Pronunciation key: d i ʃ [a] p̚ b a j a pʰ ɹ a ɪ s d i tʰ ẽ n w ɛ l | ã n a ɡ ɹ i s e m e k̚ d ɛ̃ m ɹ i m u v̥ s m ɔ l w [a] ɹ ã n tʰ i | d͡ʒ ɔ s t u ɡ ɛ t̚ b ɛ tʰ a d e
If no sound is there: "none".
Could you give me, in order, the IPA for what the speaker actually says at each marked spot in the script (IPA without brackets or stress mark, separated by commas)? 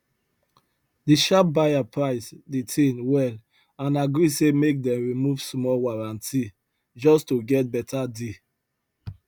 a, a